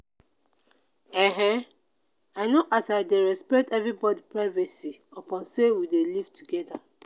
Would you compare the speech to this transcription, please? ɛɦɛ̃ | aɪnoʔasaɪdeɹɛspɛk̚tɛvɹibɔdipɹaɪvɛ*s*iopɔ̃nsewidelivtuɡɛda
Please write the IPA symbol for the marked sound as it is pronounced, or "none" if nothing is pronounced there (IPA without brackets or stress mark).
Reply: s